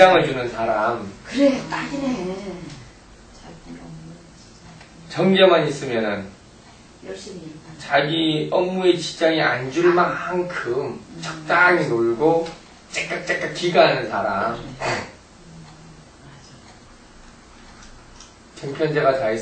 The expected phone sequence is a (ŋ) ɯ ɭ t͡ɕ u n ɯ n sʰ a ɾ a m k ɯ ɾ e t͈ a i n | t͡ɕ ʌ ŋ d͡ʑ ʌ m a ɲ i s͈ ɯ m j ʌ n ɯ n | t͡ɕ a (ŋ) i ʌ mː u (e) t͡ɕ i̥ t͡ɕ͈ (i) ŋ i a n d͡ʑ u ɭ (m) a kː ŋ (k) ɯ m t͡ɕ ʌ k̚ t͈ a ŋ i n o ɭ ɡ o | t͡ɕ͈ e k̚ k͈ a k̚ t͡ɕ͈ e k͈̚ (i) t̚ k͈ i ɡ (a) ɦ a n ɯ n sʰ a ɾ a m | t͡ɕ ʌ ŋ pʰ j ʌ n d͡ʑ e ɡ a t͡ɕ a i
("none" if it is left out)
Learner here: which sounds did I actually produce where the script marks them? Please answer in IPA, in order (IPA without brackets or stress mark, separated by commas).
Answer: ŋ, ɡ, e, a, m, kʰ, a, a